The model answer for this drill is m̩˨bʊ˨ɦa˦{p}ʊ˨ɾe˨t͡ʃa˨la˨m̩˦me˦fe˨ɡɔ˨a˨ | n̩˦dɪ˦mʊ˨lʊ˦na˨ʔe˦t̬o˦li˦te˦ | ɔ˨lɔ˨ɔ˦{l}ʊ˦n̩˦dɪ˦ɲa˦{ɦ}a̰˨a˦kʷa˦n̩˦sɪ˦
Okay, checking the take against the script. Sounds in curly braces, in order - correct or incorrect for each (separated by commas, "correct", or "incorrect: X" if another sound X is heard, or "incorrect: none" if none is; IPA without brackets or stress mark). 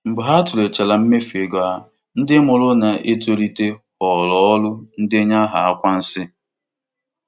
incorrect: t, correct, correct